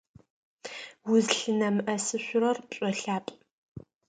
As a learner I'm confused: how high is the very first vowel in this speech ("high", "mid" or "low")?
high